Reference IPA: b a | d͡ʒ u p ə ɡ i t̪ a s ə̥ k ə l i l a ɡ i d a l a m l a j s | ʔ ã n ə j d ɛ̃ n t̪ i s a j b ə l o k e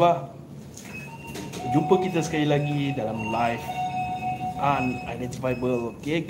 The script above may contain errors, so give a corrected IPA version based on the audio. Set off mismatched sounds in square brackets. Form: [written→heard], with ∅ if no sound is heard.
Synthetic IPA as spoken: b a | d͡ʒ u p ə [ɡ→k] i t̪ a s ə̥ k [ə→a] l i l a ɡ i d a l a m l a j [s→f] | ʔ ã n [ə→a] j d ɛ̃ n t̪ i [s→f] a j b ə l o k e